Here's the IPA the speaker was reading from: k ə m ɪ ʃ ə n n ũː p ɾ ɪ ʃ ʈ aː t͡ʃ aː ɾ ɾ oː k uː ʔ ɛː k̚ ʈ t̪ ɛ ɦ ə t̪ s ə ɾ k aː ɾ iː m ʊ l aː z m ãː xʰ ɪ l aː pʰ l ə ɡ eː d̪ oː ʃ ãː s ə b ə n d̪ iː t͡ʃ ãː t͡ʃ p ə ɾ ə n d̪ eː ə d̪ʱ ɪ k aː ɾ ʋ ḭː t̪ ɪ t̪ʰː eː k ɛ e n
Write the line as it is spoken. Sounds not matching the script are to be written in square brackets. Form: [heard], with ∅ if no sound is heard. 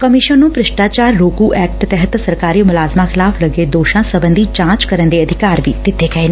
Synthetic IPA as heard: k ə m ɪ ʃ ə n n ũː p ɾ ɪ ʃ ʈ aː t͡ʃ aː ɾ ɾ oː k uː ʔ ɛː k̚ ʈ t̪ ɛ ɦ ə t̪ s ə ɾ k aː ɾ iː m ʊ l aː z m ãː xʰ ɪ l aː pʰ l ə ɡ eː d̪ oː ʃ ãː s ə b ə n d̪ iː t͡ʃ ãː t͡ʃ [k] ə ɾ ə n d̪ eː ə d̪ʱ ɪ k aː ɾ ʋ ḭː t̪ ɪ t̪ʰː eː k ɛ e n